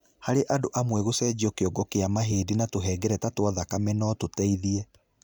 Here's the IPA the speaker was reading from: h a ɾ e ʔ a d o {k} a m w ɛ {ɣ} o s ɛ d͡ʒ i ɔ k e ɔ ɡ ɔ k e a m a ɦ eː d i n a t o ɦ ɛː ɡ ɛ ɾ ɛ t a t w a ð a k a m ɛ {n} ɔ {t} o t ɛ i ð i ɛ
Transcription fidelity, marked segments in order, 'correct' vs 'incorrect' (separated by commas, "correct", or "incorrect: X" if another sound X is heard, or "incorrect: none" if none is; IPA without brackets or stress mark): incorrect: ʔ, correct, correct, correct